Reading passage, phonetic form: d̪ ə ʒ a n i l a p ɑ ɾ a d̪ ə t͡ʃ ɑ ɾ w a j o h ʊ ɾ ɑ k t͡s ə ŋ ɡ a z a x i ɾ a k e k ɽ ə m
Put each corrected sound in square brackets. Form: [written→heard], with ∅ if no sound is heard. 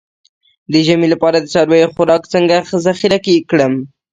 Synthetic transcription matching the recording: d̪ ə ʒ a [n→m] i l a p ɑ ɾ a d̪ ə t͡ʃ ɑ ɾ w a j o [h→x] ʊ ɾ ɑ k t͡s ə ŋ ɡ a z a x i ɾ a k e k ɽ ə m